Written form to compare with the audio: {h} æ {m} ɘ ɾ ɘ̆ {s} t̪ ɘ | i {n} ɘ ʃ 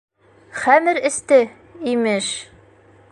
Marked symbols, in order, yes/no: no, yes, yes, no

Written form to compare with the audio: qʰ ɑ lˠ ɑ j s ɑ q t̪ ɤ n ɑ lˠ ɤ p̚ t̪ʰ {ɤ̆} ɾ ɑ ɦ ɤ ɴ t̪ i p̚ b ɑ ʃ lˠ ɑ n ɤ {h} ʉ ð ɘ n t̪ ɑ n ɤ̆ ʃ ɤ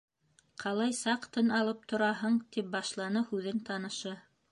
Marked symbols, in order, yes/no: no, yes

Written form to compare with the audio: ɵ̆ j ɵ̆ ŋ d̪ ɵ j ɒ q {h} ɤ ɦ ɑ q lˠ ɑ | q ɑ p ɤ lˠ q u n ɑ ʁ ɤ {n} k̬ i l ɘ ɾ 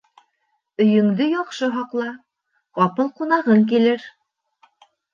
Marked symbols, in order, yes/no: no, no

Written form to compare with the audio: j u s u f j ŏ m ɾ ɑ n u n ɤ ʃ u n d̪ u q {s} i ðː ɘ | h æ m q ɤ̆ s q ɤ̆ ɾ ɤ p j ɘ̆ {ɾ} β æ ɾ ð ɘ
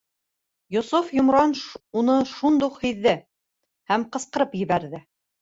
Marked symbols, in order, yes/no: no, no

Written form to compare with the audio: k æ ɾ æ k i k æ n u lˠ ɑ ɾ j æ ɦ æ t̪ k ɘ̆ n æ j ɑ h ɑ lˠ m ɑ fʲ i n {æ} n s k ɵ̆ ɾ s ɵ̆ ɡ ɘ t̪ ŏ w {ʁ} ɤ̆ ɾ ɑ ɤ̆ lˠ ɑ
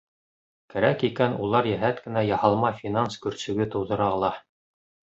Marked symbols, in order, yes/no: no, no

